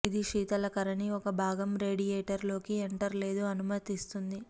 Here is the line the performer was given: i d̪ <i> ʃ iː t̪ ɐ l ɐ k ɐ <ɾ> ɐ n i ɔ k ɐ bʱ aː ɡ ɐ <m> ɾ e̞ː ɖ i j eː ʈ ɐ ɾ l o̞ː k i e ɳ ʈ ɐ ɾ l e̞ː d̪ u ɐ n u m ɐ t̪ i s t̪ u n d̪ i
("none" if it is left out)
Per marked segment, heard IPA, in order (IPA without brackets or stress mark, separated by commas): i, ɾ, m